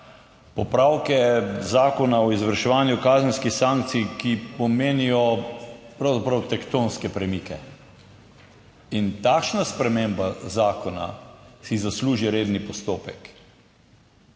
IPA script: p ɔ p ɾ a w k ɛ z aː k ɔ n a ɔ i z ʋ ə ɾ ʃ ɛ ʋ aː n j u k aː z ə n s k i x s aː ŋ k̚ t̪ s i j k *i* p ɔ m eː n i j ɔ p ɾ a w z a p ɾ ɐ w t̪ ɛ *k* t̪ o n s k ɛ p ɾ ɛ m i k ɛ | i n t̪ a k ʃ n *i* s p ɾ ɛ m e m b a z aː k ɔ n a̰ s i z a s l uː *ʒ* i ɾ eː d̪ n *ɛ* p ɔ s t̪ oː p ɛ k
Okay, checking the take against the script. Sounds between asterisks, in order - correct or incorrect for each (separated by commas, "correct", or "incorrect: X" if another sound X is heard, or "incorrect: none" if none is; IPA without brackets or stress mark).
correct, correct, incorrect: a, correct, incorrect: i